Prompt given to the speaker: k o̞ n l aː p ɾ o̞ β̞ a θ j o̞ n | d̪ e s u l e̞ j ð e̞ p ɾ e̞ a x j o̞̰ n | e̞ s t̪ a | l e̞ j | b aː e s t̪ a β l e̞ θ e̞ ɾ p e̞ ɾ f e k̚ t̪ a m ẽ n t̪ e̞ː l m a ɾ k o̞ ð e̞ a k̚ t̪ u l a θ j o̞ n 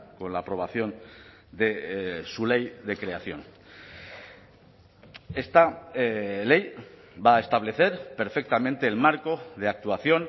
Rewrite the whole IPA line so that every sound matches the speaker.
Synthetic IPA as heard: k o̞ n l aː p ɾ o̞ β̞ a θ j o̞ n | d̪ e s u l e̞ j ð e̞ k ɾ e̞ a θ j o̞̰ n | e̞ s t̪ a | l e̞ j | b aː e s t̪ a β l e̞ θ e̞ ɾ p e̞ ɾ f e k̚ t̪ a m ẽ n t̪ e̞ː l m a ɾ k o̞ ð e̞ a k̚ t̪ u a θ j o̞ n